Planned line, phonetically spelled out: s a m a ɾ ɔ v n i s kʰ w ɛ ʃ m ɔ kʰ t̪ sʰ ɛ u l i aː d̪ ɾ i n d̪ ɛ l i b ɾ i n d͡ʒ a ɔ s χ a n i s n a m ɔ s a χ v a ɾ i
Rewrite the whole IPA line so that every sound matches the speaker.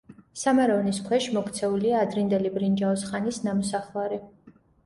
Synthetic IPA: s a m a ɾ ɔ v n i s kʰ w ɛ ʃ m ɔ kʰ t̪ sʰ ɛ u l i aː d̪ ɾ i n d̪ ɛ l i b ɾ i n d͡ʒ a ɔ s χ a n i s n a m ɔ s a χ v a ɾ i